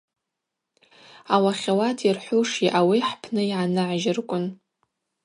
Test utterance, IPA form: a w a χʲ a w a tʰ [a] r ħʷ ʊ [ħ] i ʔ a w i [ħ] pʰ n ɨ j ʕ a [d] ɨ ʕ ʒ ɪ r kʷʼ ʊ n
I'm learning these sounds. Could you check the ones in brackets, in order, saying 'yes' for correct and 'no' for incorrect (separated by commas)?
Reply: no, no, yes, no